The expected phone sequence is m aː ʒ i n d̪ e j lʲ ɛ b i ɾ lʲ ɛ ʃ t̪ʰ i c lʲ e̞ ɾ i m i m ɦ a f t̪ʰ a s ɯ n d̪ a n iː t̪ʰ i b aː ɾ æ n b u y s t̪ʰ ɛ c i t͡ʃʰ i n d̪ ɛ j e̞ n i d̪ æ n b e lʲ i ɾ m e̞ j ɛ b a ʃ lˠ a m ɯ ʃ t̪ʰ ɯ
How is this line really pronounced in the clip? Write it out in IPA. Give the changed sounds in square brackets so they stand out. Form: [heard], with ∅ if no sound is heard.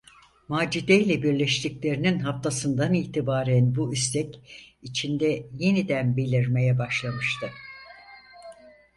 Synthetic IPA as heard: m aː [d͡ʒ] i [∅] d̪ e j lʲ ɛ b i ɾ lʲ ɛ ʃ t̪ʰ i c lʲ e̞ ɾ i [n] i [n] ɦ a f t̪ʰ a s ɯ n d̪ a n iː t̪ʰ i b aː ɾ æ n b u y s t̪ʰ ɛ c i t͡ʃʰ i n d̪ ɛ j e̞ n i d̪ æ n b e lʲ i ɾ m e̞ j ɛ b a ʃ lˠ a m ɯ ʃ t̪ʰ ɯ

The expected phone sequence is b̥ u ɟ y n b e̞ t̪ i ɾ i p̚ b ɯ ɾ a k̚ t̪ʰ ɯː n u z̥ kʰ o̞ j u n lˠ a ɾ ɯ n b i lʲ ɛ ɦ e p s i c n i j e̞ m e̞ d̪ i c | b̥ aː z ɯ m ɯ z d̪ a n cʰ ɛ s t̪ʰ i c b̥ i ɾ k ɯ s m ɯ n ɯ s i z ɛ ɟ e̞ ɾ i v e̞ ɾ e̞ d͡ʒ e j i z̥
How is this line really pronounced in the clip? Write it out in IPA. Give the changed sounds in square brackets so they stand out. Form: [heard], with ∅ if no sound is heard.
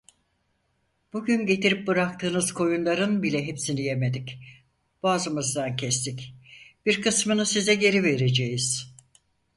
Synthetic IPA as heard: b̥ u ɟ y n [ɟ] e̞ t̪ i ɾ i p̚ b ɯ ɾ a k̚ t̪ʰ ɯː n [ɯ] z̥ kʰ o̞ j u n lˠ a ɾ ɯ n b i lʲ ɛ ɦ e p s i [∅] n i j e̞ m e̞ d̪ i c | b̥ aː z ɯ m ɯ z d̪ a n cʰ ɛ s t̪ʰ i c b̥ i ɾ k ɯ s m ɯ n ɯ s i z ɛ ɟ e̞ ɾ i v e̞ ɾ e̞ d͡ʒ e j i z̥

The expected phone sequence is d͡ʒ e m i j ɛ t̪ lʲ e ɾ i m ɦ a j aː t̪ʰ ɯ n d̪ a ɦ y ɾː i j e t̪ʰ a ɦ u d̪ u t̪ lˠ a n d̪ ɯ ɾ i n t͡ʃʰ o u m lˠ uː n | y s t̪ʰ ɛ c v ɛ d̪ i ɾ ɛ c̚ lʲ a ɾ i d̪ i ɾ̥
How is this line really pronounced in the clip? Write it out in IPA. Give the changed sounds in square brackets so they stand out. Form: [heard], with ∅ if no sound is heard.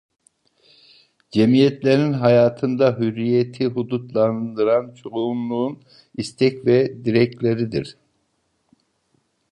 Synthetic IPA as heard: d͡ʒ e m i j ɛ t̪ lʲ e ɾ i [n] ɦ a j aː t̪ʰ ɯ n d̪ a ɦ y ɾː i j e t̪ʰ [i] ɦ u d̪ u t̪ lˠ a n d̪ ɯ ɾ [a] n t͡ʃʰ o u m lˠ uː n | [i] s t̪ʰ ɛ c v ɛ d̪ i ɾ ɛ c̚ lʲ [e] ɾ i d̪ i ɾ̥

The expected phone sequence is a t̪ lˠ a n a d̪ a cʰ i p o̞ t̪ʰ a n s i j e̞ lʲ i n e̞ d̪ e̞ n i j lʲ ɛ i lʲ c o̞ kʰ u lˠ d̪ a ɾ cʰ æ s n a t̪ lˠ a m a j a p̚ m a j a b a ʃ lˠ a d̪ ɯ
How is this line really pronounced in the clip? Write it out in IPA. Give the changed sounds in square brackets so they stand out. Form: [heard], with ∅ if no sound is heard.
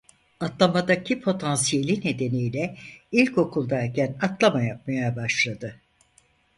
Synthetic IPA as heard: a t̪ lˠ a [m] a d̪ a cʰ i [pʰ] o̞ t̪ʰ a n s i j e̞ lʲ i n e̞ d̪ e̞ n i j lʲ ɛ i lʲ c o̞ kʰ u lˠ d̪ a ɾ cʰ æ [∅] n a t̪ lˠ a m a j a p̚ m a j a b a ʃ lˠ a d̪ ɯ

